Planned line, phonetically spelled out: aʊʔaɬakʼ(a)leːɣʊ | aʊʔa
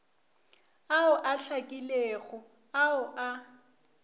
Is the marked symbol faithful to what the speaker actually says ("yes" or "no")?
no